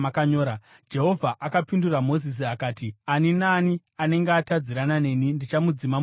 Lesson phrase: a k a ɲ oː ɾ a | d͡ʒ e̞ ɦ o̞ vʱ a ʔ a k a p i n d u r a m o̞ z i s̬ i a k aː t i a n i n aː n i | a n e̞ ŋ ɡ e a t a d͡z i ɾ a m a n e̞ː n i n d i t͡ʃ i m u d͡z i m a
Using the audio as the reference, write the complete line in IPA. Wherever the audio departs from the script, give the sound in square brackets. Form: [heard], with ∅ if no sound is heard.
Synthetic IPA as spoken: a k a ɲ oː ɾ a | d͡ʒ e̞ ɦ o̞ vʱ a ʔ a k a p i n d u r a m o̞ z i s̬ i a k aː t i a n i n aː n i | a n e̞ ŋ ɡ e a t a d͡z i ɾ a [n] a n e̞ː n i n d i t͡ʃ [a] m u d͡z i m a